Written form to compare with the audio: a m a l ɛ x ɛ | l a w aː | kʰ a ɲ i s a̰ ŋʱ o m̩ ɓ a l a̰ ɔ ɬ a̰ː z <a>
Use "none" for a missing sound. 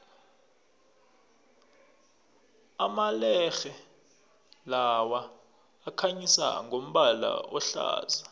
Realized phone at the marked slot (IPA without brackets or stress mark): a